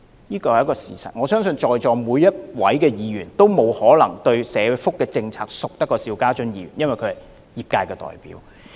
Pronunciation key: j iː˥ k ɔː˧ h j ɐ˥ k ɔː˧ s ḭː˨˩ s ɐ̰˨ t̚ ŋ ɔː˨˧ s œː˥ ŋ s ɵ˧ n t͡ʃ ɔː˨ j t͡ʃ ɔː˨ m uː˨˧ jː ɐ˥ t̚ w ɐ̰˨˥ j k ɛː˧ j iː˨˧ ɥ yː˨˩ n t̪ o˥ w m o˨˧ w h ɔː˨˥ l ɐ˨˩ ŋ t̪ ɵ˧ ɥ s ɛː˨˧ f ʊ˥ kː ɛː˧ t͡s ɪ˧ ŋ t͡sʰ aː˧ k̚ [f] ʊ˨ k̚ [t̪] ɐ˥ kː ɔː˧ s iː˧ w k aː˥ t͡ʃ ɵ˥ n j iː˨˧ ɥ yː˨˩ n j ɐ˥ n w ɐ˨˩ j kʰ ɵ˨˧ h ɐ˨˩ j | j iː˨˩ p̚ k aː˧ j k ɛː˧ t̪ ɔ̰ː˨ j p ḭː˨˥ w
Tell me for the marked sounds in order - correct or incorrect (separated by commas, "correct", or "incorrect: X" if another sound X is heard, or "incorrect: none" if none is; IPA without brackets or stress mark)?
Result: incorrect: s, correct